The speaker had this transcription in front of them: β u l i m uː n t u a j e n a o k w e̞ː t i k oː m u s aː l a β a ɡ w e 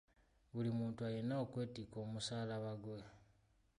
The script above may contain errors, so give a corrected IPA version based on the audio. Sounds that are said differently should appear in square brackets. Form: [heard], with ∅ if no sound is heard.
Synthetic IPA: β u l i m uː n t u a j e n a o k w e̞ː t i k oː m u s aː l a β a ɡ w e